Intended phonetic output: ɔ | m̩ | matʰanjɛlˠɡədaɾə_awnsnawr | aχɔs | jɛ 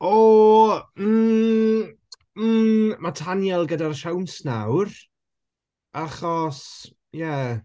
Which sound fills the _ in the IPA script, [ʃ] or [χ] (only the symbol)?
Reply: ʃ